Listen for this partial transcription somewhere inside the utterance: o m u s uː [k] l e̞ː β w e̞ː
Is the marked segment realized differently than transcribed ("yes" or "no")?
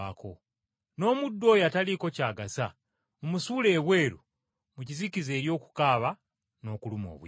yes